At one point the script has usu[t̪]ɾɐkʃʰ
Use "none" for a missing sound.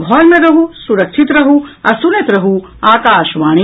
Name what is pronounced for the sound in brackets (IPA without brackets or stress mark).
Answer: none